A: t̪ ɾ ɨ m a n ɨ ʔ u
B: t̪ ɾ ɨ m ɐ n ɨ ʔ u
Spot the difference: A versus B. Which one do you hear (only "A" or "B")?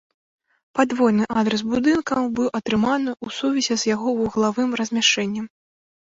A